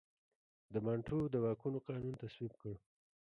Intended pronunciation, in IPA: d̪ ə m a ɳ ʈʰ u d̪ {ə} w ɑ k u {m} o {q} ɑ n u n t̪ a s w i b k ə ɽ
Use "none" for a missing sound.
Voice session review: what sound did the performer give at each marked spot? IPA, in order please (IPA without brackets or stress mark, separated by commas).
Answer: ə, n, q